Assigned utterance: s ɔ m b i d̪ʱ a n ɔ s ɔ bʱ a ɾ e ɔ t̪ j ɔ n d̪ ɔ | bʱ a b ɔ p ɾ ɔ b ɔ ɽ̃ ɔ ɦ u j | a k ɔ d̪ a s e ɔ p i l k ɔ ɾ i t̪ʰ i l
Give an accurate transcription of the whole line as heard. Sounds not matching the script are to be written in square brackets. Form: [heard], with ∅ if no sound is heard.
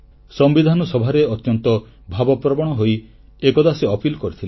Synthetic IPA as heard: s ɔ m b i d̪ʱ a n ɔ s ɔ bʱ a ɾ e ɔ t̪ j ɔ n [t̪] ɔ | bʱ a b ɔ p ɾ ɔ b ɔ ɽ̃ ɔ ɦ [o] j | [e] k ɔ d̪ a s e ɔ p i l k ɔ ɾ i t̪ʰ i l

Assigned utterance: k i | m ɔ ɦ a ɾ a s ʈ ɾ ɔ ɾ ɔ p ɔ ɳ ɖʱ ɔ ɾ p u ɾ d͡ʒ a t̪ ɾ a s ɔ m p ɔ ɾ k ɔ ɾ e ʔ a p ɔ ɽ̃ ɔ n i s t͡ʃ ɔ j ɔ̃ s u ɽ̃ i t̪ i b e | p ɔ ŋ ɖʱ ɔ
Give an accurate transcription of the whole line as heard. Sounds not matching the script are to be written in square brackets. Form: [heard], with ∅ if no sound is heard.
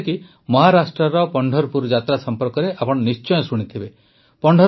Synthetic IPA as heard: k i | m ɔ ɦ a ɾ a s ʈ ɾ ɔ ɾ ɔ p ɔ ɳ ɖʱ ɔ ɾ p u ɾ d͡ʒ a t̪ ɾ a s ɔ m p ɔ ɾ k ɔ ɾ e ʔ a p ɔ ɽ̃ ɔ n i s t͡ʃ ɔ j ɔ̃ s u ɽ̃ i [t̪ʰ] i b e | p ɔ [ɳ] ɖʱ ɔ

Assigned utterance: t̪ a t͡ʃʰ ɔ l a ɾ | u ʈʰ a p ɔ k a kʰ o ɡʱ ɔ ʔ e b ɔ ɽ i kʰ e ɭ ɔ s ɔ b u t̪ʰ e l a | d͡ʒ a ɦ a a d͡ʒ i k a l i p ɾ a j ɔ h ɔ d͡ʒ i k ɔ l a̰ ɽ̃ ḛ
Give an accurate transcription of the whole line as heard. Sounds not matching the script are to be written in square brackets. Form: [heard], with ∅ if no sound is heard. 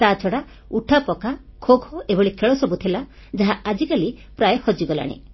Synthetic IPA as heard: t̪ a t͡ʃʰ ɔ [ɽ] a [∅] | u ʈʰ a p ɔ k a kʰ o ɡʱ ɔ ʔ e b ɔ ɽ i kʰ e ɭ ɔ s ɔ b u t̪ʰ e l a | d͡ʒ a ɦ a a d͡ʒ i k a l i p ɾ a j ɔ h ɔ d͡ʒ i [ɡ] ɔ l a̰ ɽ̃ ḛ

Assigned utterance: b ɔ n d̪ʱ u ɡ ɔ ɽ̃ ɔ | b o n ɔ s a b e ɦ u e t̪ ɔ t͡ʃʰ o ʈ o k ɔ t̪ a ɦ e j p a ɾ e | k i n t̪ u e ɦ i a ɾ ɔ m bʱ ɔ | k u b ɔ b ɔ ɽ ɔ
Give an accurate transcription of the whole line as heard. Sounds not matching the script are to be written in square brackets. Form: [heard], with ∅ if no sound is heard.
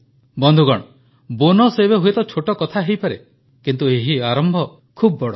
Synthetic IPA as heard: b ɔ n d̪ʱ u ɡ ɔ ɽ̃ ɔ | b o n ɔ s [e] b e ɦ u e t̪ ɔ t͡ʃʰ o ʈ [ɔ] k ɔ [t̪ʰ] a ɦ e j p a ɾ e | k i n t̪ u e ɦ i a ɾ ɔ m bʱ ɔ | [kʰ] u b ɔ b ɔ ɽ ɔ

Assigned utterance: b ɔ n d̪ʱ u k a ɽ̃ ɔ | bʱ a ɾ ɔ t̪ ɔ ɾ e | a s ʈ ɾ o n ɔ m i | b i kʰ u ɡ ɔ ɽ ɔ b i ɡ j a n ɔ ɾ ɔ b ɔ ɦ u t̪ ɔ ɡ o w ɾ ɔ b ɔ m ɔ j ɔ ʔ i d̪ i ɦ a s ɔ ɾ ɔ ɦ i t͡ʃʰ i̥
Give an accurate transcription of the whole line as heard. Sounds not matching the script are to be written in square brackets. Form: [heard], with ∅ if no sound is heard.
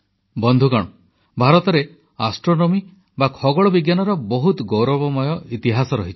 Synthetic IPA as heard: b ɔ n d̪ʱ u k a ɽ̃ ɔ | bʱ a ɾ ɔ t̪ ɔ ɾ e | a s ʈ ɾ o n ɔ m i | b [a] kʰ [ɔ] ɡ ɔ [ɭ] ɔ b i ɡ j a n ɔ ɾ ɔ b ɔ ɦ u t̪ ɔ ɡ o w ɾ ɔ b ɔ m ɔ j ɔ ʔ i [t̪] i ɦ a s ɔ ɾ ɔ ɦ i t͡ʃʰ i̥

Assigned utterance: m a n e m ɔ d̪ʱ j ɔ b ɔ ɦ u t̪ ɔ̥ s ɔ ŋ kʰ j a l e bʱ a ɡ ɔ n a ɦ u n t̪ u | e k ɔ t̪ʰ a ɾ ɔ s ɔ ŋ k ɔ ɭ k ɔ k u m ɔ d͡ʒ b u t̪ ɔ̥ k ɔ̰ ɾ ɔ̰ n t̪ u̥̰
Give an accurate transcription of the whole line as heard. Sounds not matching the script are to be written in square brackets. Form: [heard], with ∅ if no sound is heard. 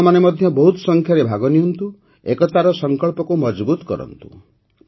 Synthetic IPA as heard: m a n e m ɔ d̪ʱ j ɔ b ɔ ɦ u t̪ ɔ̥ s ɔ ŋ kʰ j a [ɾ] e bʱ a ɡ ɔ n [i] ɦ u n t̪ u | e k ɔ [t̪] a ɾ ɔ s ɔ ŋ k ɔ ɭ [p] ɔ k u m ɔ d͡ʒ b u t̪ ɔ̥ k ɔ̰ ɾ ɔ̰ n t̪ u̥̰

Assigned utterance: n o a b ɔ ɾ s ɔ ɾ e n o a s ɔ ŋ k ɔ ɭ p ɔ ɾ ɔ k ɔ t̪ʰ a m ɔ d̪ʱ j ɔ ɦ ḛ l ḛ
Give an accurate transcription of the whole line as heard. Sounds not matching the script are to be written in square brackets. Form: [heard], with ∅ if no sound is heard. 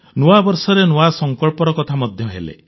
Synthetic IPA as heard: n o a b ɔ ɾ s ɔ ɾ e n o a s ɔ ŋ k ɔ ɭ p ɔ ɾ ɔ k ɔ t̪ʰ a m ɔ d̪ʱ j ɔ ɦ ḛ l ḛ

